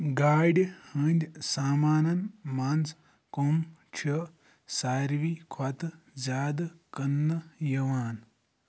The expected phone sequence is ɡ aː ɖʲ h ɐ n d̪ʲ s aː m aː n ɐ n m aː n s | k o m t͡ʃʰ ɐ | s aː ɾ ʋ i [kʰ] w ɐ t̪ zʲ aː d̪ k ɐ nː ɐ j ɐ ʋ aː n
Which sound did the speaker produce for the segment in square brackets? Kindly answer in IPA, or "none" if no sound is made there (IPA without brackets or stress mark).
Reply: kʰ